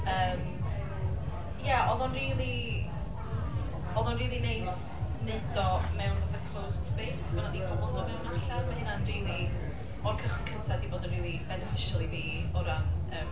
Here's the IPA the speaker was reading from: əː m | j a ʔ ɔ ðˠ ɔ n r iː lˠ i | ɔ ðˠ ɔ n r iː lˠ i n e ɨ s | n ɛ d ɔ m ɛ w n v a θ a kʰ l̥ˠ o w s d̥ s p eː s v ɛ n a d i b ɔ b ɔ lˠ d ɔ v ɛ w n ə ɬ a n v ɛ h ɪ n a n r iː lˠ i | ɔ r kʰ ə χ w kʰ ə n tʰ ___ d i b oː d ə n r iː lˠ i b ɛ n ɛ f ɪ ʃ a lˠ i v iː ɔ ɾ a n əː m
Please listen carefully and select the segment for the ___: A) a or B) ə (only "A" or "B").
A